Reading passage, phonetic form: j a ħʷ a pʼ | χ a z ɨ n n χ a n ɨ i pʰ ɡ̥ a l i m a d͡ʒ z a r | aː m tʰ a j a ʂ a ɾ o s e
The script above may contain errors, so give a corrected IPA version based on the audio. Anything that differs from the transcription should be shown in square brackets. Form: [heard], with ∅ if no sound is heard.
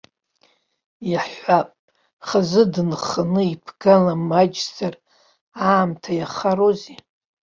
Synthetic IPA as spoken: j a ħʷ a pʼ | χ a z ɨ [d] n χ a n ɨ i pʰ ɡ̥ a l [a] m a d͡ʒ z a r | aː m tʰ a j a [χ] a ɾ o [z] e